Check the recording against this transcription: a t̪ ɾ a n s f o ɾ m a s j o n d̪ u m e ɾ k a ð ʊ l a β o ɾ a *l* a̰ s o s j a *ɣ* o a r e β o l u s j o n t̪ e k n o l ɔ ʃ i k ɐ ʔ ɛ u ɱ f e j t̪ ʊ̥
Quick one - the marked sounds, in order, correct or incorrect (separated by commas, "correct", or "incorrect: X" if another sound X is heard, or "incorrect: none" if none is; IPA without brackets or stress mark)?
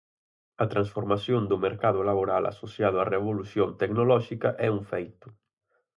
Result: correct, incorrect: ð